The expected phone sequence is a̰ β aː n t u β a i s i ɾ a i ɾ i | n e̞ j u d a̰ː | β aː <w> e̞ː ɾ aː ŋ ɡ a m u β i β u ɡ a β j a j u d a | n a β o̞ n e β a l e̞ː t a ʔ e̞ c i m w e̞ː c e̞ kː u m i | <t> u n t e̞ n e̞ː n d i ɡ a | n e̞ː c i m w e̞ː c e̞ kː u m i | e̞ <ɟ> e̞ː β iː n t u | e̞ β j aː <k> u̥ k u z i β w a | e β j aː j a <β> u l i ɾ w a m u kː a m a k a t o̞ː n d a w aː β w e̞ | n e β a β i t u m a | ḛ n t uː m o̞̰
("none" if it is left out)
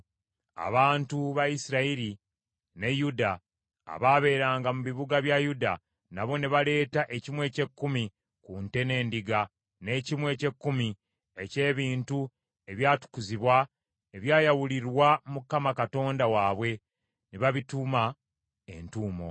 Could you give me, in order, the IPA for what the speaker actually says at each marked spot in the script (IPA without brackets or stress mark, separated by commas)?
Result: β, k, c, t, w